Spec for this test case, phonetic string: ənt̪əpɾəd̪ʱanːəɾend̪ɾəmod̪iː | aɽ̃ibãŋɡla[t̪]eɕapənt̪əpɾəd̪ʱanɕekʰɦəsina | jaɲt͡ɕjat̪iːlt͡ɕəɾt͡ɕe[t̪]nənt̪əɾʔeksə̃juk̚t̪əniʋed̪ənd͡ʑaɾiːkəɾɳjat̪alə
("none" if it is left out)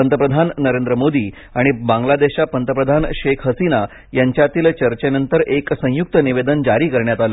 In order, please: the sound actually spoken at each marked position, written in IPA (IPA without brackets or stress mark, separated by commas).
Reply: d̪, none